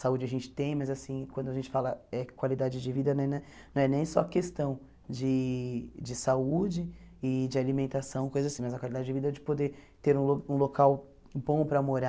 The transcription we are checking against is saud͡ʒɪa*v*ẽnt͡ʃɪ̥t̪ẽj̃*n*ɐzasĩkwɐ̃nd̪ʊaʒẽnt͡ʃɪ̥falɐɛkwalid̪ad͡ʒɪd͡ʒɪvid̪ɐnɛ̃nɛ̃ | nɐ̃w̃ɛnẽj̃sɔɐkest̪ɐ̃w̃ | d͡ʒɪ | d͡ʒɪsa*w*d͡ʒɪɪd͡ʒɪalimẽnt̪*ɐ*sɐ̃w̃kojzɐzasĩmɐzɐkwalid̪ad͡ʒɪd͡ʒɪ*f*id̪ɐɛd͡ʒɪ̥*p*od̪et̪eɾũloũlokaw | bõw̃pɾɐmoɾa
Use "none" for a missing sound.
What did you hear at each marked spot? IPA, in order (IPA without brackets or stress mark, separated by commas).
ʒ, m, u, a, v, p